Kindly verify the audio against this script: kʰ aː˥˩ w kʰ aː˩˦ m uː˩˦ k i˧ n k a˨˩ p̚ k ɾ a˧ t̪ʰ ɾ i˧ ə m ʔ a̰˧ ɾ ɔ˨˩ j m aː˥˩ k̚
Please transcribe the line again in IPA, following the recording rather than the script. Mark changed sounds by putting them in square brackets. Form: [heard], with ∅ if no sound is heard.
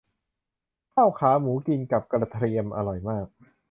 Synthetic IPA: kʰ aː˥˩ w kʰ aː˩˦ m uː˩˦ k i˧ n k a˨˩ p̚ k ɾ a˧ t̪ʰ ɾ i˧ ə m ʔ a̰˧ ɾ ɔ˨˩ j m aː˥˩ k̚